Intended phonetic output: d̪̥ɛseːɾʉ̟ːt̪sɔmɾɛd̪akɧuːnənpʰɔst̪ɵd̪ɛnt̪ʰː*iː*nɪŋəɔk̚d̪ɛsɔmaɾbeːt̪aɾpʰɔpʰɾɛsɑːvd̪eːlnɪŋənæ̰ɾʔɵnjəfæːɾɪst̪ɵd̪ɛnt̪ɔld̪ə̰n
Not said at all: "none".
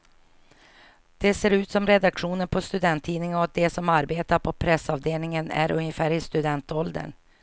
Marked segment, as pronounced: iː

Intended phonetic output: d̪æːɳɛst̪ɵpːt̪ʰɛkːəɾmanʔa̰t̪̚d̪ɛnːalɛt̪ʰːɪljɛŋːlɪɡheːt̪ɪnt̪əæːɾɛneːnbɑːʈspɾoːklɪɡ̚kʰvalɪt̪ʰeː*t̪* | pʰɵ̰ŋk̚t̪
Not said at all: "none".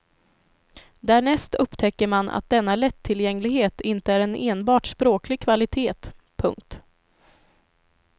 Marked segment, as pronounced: t̪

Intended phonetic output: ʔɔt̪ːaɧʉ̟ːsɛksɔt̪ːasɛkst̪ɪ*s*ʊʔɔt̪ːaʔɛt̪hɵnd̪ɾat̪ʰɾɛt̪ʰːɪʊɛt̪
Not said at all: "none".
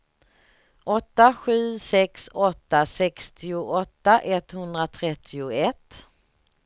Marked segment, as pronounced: none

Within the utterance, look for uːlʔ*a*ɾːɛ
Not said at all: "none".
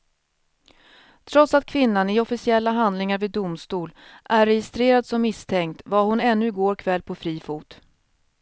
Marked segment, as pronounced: æ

